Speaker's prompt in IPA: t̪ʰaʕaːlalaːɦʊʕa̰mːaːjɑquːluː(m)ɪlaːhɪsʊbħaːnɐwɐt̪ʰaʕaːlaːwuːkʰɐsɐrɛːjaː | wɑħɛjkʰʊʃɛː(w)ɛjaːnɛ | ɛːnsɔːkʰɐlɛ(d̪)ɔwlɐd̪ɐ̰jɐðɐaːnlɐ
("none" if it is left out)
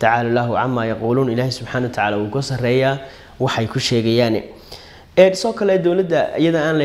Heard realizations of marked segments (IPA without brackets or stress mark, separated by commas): n, ɣ, d̪